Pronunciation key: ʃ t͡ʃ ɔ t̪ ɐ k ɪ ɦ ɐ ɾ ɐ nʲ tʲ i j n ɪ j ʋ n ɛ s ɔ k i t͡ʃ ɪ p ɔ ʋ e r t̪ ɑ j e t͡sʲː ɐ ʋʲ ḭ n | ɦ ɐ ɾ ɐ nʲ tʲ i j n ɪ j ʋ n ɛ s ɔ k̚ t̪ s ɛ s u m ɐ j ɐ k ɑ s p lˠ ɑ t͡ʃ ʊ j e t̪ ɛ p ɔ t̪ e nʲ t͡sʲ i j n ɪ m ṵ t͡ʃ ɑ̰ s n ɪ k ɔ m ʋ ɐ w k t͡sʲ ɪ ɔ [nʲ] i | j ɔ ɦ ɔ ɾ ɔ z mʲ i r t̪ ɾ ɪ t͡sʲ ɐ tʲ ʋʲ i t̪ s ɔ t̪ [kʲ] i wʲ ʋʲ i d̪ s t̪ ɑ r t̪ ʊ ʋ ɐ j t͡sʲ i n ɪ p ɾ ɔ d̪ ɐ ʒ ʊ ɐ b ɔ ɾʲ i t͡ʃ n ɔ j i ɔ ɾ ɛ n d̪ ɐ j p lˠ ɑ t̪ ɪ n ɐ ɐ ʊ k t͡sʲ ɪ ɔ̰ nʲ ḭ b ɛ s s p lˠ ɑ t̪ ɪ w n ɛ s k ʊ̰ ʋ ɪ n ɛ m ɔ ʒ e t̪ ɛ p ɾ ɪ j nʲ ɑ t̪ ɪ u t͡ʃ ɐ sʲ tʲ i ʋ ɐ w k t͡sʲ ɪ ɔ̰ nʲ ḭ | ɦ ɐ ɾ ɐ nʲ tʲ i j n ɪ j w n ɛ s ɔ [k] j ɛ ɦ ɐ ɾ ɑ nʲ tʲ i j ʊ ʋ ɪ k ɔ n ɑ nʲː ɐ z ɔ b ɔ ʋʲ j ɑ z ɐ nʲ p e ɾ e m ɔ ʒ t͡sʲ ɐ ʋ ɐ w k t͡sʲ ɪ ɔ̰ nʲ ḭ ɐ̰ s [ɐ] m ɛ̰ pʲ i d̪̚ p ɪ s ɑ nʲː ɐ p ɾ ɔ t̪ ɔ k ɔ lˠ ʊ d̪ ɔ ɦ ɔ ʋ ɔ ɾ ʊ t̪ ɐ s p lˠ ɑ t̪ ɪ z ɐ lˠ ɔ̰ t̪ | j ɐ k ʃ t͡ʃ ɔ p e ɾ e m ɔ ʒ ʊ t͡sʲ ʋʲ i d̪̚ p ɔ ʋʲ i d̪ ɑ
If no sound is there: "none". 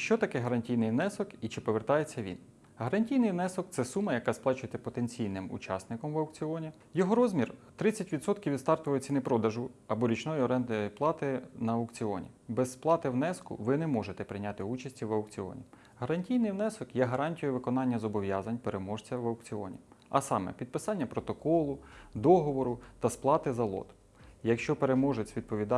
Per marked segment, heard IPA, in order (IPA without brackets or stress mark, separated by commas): nʲ, kʲ, k, ɑ